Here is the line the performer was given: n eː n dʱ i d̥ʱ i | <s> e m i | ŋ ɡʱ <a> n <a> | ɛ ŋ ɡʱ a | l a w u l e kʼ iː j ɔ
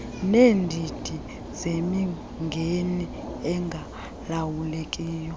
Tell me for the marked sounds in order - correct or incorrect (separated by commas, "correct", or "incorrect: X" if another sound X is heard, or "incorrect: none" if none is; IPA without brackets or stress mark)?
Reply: incorrect: z, incorrect: e, incorrect: i